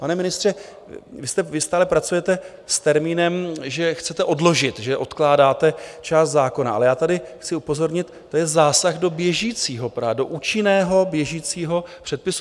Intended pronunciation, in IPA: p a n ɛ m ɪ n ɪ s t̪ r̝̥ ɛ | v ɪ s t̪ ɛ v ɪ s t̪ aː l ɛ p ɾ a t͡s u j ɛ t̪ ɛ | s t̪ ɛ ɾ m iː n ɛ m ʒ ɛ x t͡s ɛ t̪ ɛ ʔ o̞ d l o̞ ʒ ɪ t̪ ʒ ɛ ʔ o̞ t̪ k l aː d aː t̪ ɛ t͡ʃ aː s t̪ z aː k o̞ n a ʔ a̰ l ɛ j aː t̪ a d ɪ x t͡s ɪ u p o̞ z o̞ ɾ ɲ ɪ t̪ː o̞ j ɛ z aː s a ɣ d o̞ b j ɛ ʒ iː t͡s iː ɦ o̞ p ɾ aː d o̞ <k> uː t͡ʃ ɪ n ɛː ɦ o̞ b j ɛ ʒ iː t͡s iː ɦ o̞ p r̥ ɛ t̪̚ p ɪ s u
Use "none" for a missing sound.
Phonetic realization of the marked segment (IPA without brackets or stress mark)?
ʔ